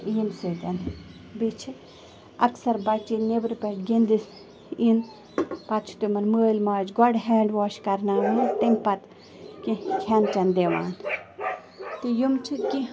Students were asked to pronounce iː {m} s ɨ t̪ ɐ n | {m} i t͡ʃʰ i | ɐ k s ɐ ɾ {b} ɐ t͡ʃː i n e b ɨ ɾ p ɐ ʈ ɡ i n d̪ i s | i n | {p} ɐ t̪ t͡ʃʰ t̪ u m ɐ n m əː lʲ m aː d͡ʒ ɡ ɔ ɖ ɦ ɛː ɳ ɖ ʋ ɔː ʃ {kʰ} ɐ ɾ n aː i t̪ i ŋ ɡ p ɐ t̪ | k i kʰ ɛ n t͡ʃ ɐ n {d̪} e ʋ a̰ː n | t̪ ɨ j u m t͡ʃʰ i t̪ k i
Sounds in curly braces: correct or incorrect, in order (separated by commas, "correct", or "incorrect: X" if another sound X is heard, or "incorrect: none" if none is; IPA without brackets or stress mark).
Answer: correct, incorrect: b, correct, correct, incorrect: k, correct